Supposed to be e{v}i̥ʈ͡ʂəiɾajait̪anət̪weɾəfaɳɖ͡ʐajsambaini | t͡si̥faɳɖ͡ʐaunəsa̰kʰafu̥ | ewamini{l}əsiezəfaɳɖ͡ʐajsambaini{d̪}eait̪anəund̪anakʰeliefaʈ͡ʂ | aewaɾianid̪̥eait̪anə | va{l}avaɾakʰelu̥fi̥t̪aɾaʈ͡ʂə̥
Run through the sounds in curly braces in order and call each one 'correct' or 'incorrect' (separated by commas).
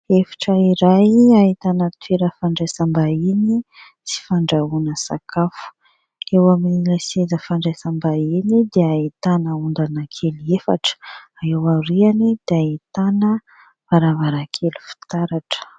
incorrect, correct, correct, incorrect